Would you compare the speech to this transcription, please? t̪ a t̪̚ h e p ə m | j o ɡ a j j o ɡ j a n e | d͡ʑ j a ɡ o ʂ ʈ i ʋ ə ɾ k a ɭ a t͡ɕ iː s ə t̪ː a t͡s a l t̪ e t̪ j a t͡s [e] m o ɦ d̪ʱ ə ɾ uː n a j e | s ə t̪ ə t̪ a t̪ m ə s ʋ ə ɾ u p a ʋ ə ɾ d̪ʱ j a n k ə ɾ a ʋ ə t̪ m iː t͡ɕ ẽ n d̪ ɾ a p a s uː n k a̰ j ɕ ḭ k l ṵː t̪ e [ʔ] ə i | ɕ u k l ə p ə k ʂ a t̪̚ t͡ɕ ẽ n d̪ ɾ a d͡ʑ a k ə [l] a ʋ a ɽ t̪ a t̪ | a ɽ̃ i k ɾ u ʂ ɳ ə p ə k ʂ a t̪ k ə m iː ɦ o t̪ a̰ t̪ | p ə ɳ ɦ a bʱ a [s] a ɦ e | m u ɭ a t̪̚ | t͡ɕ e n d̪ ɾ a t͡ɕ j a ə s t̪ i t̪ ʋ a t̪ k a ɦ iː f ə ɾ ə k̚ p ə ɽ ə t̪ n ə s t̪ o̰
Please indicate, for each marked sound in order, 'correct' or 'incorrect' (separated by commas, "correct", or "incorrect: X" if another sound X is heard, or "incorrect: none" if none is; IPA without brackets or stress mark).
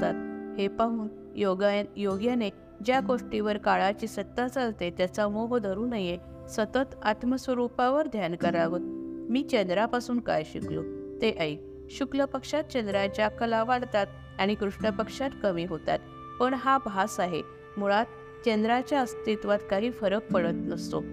incorrect: a, correct, correct, correct